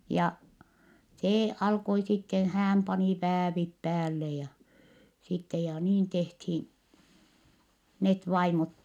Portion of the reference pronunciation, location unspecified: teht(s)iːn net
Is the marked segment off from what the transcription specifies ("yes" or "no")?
yes